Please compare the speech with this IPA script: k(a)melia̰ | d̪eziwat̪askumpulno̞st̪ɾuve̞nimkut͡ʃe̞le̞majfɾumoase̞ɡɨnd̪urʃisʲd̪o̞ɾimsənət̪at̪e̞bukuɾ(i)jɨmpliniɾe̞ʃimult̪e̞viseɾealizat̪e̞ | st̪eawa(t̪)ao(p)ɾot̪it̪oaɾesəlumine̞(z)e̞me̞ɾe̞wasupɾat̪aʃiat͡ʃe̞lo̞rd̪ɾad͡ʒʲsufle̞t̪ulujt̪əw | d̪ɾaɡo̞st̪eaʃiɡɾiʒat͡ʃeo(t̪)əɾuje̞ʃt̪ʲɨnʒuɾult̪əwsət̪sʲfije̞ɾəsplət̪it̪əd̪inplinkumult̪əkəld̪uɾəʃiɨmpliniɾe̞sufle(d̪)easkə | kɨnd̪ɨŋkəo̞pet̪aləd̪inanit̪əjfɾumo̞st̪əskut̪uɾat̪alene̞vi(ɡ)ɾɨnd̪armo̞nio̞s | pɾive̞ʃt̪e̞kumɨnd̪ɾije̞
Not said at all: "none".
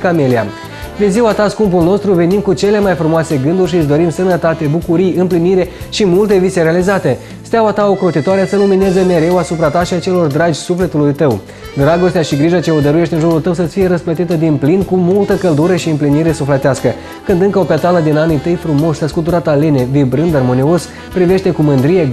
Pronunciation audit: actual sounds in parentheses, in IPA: a, i, t̪, k, z, d̪, t̪, b

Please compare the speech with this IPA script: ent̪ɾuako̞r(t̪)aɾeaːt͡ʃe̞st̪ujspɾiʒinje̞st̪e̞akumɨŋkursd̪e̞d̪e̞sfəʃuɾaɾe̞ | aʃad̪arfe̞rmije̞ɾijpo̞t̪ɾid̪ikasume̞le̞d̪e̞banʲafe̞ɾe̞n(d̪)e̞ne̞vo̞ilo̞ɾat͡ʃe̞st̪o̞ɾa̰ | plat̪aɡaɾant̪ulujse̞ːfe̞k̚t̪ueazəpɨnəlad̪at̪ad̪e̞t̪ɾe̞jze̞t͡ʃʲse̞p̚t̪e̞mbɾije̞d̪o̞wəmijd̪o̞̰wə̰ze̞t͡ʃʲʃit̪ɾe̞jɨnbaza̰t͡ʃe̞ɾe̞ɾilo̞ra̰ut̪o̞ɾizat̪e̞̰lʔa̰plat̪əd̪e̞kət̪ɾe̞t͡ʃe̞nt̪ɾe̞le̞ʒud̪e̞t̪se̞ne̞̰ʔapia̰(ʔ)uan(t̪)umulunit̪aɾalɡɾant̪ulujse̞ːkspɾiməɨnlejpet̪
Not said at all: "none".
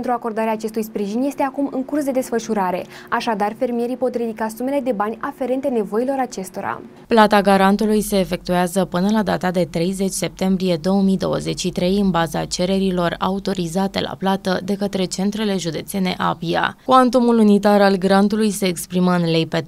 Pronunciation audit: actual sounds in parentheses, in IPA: d̪, t̪, k, t̪

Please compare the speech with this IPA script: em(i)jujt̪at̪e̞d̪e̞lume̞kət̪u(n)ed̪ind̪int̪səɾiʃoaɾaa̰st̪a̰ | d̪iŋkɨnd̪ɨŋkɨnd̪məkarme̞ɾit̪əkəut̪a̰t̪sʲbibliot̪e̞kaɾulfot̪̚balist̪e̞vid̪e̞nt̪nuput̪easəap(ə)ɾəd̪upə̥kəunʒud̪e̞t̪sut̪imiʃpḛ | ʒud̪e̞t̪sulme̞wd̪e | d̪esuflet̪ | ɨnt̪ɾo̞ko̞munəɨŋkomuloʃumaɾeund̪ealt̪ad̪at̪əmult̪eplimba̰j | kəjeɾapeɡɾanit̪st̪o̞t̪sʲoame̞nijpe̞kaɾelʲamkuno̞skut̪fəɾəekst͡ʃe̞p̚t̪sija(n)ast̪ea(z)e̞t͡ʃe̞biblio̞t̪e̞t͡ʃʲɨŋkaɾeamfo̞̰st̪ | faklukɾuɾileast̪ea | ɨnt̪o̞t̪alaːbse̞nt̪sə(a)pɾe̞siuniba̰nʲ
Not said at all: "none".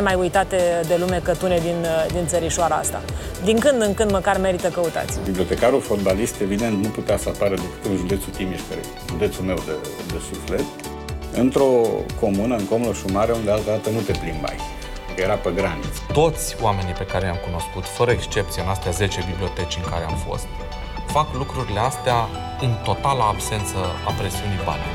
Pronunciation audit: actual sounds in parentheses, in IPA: a, n, a, n, z, a

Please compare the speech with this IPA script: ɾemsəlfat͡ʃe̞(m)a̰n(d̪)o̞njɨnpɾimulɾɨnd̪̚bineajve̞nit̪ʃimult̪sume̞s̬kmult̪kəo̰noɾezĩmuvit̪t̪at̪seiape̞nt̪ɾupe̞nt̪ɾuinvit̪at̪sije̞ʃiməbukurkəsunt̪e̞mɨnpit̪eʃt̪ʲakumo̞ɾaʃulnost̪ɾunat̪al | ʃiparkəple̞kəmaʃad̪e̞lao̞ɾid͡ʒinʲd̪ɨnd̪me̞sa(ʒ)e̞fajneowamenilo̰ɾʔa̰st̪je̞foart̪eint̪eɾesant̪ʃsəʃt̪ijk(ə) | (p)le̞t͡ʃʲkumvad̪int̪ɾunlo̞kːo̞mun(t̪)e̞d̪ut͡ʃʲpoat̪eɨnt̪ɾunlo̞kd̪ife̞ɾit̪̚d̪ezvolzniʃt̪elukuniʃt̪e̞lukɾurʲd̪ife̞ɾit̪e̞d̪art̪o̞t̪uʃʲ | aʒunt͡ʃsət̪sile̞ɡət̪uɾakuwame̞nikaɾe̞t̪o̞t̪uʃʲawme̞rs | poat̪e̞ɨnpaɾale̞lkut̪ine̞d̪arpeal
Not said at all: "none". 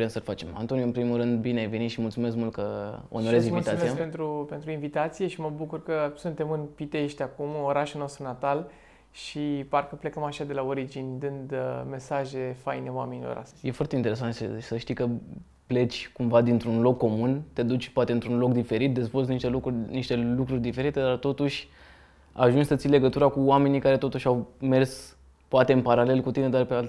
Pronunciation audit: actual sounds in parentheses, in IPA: m, t̪, ʒ, ə, p, t̪

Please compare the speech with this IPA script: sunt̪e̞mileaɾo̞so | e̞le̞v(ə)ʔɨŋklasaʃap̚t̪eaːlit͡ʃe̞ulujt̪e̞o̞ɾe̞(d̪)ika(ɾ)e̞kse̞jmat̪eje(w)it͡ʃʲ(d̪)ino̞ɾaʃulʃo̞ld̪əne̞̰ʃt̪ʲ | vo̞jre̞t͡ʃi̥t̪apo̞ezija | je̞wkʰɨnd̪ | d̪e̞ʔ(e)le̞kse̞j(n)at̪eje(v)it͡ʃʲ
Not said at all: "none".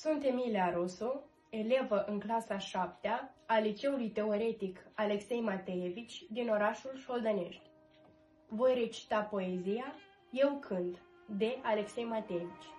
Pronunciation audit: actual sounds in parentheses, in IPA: ə, t̪, l, v, d̪, a, m, v

